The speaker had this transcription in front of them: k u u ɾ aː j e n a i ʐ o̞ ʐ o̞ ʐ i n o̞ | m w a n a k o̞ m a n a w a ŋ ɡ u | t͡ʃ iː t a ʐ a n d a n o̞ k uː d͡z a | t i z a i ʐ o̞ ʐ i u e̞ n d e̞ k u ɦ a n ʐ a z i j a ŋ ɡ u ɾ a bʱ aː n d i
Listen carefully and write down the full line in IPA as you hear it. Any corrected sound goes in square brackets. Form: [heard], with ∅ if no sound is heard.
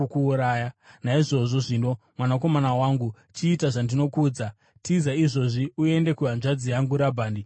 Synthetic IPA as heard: k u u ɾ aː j [a] n a i ʐ o̞ ʐ o̞ ʐ i n o̞ | m w a n a k o̞ m a n a w a ŋ ɡ u | t͡ʃ iː t a ʐ a n d [i] n o̞ k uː d͡z a | t i z a i ʐ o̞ ʐ i u e̞ n d e̞ k u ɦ a n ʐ a [d͡z] i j a ŋ ɡ u ɾ a bʱ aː n d i

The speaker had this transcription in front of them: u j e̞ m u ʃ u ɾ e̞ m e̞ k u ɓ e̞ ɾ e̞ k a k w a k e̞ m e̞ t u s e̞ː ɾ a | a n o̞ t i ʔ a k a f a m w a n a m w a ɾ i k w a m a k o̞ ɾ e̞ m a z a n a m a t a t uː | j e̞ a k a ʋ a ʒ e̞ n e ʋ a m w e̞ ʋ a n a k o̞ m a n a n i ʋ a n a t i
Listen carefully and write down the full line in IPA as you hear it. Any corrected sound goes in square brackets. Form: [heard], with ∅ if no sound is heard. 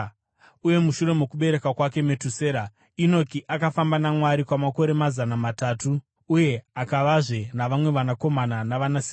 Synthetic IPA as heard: u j e̞ m u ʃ u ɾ e̞ m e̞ k u ɓ e̞ ɾ e̞ k a k w a k e̞ m e̞ t u s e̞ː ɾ a | [i] n o̞ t i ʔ a k a f a m [b] a n a m w a ɾ i k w a m a k o̞ ɾ e̞ m a z a n a m a t a t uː | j e̞ a k a ʋ a [ʐ] e̞ n [a] ʋ a m w e̞ ʋ a n a k o̞ m a n a n [a] ʋ a n a [s] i

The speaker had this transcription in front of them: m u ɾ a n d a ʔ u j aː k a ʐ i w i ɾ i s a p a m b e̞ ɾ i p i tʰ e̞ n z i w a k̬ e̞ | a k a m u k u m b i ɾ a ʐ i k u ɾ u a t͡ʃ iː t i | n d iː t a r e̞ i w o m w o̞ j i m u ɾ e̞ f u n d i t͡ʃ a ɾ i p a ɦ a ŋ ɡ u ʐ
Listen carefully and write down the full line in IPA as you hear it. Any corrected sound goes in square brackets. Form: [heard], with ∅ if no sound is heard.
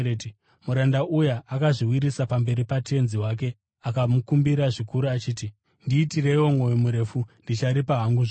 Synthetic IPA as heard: m u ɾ a n d a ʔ u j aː k a ʐ i w i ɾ i s a p a m b e̞ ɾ i p [a] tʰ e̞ n z i w a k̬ e̞ | a k a m u k u m b i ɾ a ʐ i k u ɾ u a t͡ʃ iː t i | n d iː t [i] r e̞ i w o m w o̞ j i m u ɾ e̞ f u n d i t͡ʃ a ɾ i p a ɦ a ŋ ɡ u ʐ

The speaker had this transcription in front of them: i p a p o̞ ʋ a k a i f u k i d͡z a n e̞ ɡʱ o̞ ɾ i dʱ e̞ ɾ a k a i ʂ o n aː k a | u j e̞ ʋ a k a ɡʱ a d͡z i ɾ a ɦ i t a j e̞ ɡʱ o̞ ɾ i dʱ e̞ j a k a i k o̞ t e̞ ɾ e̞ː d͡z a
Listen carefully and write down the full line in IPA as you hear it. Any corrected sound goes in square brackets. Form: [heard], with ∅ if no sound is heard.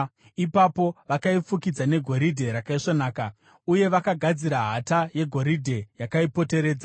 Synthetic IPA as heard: i p a p o̞ ʋ a k a i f u k i d͡z a n e̞ ɡʱ o̞ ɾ i dʱ e̞ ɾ a k a i ʂ o n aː k a | u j e̞ ʋ a k a ɡʱ a d͡z i ɾ a ɦ [a] t a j e̞ ɡʱ o̞ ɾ i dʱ e̞ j a k a i [p] o̞ t e̞ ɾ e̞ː d͡z a

